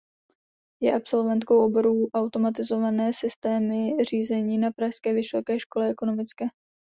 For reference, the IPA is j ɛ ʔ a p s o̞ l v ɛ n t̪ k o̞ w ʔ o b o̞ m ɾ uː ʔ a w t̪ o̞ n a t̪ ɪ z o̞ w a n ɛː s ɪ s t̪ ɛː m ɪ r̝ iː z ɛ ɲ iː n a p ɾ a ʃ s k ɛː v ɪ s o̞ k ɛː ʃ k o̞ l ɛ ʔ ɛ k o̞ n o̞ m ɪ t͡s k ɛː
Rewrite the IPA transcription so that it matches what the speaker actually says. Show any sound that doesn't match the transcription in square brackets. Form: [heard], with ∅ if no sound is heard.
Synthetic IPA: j ɛ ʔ a p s o̞ l v ɛ n t̪ k o̞ w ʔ o b o̞ [∅] ɾ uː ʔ a w t̪ o̞ [m] a t̪ ɪ z o̞ [v] a n ɛː s ɪ s t̪ ɛː m ɪ r̝ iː z ɛ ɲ iː n a p ɾ a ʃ s k ɛː v ɪ s o̞ k ɛː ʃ k o̞ l ɛ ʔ ɛ k o̞ n o̞ m ɪ t͡s k ɛː